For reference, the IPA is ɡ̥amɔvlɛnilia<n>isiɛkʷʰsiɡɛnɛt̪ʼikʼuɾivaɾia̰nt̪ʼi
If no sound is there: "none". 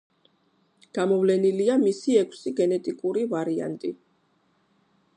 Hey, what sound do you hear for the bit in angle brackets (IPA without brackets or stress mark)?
m